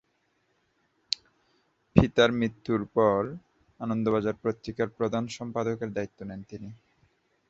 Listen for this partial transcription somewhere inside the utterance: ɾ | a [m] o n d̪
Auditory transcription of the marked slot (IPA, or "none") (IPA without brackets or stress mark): n